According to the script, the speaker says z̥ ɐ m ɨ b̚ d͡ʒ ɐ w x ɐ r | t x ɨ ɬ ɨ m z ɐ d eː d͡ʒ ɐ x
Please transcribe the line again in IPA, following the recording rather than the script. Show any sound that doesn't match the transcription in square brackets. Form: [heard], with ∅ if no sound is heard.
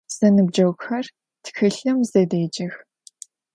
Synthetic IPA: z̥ ɐ [n] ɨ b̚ d͡ʒ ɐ w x ɐ r | t x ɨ ɬ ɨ m z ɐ d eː d͡ʒ ɐ x